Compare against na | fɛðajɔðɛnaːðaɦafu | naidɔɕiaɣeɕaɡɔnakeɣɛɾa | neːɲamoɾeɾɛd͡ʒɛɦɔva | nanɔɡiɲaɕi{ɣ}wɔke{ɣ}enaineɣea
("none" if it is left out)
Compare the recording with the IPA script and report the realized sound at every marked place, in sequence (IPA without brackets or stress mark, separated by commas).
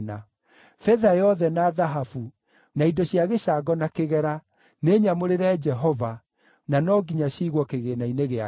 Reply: ɣ, ɣ